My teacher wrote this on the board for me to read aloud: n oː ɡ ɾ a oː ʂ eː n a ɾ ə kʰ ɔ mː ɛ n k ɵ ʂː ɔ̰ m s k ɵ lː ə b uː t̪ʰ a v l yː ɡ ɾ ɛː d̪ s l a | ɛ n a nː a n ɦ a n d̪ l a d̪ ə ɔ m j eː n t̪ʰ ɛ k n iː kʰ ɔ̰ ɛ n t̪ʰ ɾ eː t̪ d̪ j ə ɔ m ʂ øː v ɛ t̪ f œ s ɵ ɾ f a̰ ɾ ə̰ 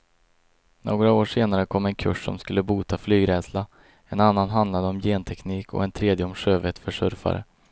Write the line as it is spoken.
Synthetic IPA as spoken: n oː ɡ ɾ a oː ʂ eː n a ɾ ə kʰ ɔ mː ɛ n kʰ ɵ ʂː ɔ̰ m s k ɵ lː ə b uː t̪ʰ a f l yː ɡ ɾ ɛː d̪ s l a | ɛ n a nː a n ɦ a n d̪ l a d̪ ə ɔ m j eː n t̪ʰ ɛ k n iː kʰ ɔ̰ ɛ n t̪ʰ ɾ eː d̪ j ə ɔ m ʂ øː v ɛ t̪ f œ ʂ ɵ ɾ f a̰ ɾ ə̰